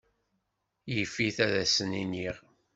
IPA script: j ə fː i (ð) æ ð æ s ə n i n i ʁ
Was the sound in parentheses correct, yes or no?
no